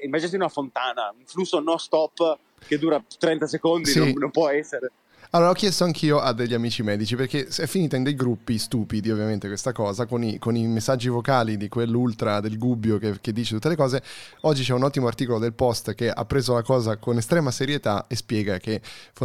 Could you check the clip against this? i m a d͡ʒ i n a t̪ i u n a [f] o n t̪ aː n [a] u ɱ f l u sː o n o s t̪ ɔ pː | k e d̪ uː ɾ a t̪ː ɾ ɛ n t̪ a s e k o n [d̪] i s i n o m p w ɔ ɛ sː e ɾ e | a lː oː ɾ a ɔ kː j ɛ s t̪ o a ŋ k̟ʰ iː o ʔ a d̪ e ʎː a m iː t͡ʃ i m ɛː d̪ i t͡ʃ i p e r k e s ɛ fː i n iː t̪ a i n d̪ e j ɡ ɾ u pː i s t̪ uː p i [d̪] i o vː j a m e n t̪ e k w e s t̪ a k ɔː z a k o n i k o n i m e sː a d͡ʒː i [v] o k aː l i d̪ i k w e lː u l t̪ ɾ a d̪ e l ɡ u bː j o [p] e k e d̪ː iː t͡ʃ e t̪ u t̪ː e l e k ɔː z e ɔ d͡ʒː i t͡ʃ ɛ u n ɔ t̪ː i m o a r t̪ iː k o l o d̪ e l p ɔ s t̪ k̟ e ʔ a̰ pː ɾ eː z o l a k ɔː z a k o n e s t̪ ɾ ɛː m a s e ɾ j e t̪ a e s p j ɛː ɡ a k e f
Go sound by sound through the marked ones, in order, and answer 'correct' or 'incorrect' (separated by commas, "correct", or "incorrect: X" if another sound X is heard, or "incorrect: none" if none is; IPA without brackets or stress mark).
correct, correct, correct, correct, correct, incorrect: k